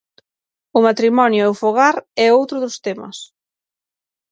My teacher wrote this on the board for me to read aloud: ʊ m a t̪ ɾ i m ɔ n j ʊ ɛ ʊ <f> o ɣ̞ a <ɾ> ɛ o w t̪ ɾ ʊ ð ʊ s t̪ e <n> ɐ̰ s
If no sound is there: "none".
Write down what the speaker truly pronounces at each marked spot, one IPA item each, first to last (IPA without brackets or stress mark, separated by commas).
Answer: f, ɾ, m